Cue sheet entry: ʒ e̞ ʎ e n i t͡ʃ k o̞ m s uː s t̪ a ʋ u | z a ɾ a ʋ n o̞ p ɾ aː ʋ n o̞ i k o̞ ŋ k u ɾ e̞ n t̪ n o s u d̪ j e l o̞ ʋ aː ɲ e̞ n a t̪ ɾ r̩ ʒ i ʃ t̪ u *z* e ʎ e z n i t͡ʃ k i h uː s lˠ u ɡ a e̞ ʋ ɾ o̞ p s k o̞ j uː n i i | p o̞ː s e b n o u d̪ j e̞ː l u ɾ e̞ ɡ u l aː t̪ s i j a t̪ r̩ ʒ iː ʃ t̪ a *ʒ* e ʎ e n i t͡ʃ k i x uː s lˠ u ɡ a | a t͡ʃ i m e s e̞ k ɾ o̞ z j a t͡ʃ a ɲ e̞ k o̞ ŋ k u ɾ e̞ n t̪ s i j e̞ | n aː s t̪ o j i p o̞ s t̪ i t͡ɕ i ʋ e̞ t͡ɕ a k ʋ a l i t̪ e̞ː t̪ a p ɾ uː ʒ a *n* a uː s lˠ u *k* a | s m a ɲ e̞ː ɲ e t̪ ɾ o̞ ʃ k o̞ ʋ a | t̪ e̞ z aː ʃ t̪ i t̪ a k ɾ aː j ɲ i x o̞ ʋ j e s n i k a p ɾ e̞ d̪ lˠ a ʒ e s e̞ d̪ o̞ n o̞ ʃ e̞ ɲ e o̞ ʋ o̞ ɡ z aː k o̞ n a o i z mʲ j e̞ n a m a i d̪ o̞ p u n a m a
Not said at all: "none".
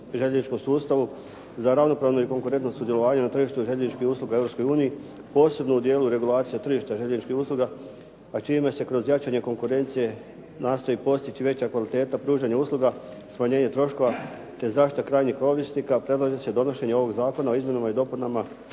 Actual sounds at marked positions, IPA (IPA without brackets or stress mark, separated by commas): ʒ, ʒ, ɲ, ɡ